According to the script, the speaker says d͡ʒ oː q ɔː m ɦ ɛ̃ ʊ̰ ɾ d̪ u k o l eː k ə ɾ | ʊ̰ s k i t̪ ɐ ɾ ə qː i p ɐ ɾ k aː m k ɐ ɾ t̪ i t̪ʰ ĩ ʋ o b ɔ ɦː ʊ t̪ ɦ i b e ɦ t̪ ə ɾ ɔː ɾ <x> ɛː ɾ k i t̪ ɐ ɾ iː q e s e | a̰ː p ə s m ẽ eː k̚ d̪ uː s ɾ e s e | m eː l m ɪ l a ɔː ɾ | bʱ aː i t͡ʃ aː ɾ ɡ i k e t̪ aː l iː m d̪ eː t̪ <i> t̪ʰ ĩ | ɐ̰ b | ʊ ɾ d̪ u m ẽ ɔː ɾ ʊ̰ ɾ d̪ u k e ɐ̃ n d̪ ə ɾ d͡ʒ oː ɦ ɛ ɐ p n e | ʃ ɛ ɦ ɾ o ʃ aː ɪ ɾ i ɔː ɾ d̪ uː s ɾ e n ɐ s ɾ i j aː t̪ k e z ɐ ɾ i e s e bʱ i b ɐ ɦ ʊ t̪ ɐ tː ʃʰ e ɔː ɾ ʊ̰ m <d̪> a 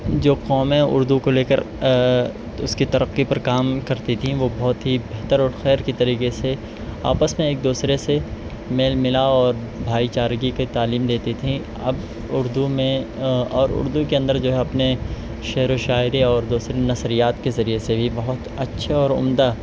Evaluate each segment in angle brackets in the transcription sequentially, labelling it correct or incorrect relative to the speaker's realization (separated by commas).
correct, correct, correct